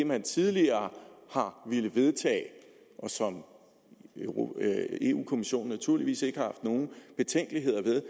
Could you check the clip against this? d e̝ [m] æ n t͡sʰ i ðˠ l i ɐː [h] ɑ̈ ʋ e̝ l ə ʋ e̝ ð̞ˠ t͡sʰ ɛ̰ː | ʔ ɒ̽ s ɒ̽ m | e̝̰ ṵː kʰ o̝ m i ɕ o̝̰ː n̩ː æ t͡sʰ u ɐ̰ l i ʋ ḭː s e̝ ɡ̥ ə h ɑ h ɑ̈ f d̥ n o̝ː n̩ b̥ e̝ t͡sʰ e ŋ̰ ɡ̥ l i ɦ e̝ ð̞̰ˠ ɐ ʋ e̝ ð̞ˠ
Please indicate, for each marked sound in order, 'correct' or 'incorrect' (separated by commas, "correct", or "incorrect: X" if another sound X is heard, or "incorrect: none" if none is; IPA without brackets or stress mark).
correct, correct